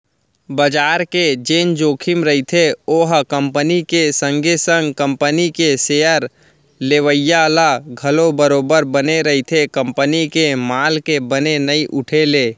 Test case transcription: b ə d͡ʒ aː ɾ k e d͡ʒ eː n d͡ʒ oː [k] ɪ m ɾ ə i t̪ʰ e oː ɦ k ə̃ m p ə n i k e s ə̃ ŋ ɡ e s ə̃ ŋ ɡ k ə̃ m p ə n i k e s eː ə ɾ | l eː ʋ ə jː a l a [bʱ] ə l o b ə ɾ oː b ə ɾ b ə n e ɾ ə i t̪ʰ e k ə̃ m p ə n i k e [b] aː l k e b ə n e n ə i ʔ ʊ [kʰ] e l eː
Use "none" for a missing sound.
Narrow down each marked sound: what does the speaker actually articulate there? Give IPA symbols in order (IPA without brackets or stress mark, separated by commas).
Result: kʰ, ɡʱ, m, ʈʰ